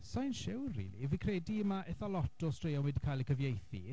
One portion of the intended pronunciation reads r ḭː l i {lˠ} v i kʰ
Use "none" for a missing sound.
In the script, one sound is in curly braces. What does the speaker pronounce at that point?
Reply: none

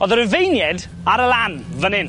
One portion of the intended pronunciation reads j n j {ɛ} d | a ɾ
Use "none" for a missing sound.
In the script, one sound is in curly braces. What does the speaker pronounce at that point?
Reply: ɛ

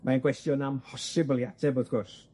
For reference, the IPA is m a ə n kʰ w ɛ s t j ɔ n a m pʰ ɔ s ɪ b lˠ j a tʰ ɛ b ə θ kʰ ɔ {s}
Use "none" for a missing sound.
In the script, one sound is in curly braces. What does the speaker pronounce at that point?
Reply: s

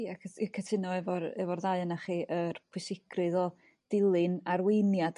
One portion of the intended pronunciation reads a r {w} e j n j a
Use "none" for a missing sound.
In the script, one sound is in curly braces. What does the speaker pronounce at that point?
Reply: w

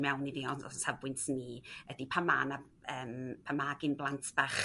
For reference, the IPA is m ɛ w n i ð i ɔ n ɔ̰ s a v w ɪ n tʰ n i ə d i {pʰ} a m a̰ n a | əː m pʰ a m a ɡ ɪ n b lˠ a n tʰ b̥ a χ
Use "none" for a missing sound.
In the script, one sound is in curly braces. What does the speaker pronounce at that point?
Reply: pʰ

